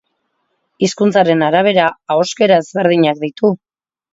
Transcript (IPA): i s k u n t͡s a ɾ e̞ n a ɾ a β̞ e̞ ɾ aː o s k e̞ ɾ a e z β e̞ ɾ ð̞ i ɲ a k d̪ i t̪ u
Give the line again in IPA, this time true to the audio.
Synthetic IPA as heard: i s k u n t͡s a ɾ e̞ n a ɾ a β̞ e̞ ɾ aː o s k e̞ ɾ a e z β e̞ ɾ ð̞ i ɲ a k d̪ i t̪ u